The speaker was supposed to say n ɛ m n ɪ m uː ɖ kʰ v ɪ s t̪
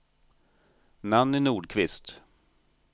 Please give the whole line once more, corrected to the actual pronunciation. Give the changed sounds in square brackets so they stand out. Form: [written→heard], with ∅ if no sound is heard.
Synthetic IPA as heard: n [ɛ→a] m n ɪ [m→n] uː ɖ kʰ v ɪ s t̪